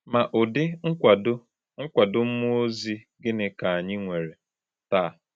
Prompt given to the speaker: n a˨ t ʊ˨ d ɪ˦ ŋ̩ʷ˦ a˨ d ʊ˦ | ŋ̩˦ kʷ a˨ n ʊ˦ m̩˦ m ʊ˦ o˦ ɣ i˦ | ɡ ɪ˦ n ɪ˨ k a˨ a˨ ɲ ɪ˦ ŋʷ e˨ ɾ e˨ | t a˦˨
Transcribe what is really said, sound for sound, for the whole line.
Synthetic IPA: m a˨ ʔ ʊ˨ d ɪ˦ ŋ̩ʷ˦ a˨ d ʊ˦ | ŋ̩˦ kʷ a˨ d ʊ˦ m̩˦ m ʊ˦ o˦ z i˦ | ɡ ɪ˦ n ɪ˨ k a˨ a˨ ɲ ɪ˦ ŋʷ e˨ ɾ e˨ | t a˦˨